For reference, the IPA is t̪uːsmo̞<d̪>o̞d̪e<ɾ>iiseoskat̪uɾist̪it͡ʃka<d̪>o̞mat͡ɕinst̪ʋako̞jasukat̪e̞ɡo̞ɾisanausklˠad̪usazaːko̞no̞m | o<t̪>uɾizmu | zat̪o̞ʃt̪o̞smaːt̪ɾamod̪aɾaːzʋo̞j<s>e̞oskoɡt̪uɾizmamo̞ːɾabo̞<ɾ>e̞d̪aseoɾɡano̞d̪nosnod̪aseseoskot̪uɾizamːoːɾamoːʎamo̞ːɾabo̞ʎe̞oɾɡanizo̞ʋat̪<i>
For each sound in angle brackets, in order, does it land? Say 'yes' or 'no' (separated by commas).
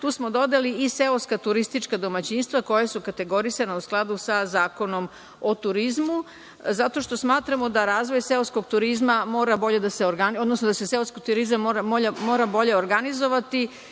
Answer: yes, no, yes, yes, yes, no, yes